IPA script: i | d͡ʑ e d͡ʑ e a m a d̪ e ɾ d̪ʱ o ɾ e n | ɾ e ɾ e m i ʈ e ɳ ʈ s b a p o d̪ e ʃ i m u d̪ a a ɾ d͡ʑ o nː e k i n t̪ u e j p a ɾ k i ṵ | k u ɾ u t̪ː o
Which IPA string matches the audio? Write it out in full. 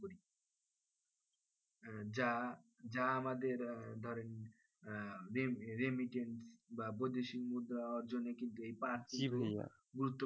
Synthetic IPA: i | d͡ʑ a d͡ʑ a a m a d̪ e ɾ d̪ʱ ɔ ɾ e n | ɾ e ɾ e m i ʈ e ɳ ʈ s b a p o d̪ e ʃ i m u d̪ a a ɾ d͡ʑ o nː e k i n t̪ u e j p a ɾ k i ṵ | ɡ u ɾ u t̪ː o